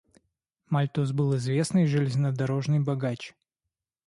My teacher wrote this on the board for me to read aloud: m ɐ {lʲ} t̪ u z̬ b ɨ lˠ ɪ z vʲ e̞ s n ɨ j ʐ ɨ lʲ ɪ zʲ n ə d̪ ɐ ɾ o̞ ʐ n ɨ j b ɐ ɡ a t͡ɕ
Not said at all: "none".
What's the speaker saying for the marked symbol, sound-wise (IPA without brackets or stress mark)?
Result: lʲ